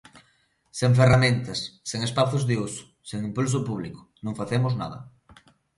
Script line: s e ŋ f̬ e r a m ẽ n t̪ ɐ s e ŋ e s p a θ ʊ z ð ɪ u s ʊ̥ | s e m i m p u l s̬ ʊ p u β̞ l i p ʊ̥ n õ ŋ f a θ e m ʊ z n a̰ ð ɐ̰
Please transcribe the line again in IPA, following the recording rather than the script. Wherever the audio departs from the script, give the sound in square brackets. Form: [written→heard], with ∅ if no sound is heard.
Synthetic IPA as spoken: s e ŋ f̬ e r a m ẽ n t̪ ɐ [s→sː] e ŋ e s p a θ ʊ z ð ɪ u s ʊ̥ | s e [m→ŋ] i m p u l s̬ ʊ p u β̞ l i [p→k] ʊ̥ n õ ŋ f a θ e m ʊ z n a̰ ð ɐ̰